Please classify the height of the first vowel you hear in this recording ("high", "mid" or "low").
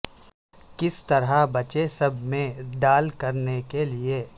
high